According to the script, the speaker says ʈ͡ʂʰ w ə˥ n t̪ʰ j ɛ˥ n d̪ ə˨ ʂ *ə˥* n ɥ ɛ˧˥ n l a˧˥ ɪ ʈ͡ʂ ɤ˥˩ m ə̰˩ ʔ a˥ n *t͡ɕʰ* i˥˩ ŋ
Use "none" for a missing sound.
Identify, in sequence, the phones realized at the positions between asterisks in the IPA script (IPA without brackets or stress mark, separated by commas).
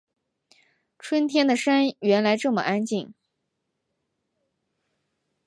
a˥, t͡ɕ